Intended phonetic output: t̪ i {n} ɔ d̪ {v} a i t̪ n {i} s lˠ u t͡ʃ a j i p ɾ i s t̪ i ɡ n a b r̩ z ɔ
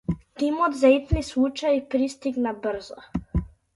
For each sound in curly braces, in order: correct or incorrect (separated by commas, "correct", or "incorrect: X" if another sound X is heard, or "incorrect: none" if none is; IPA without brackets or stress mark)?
incorrect: m, incorrect: z, correct